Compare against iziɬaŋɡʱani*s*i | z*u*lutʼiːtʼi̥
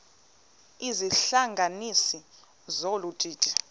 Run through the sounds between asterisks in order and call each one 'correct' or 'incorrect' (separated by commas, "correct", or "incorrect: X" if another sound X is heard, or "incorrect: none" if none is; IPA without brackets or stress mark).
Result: correct, incorrect: o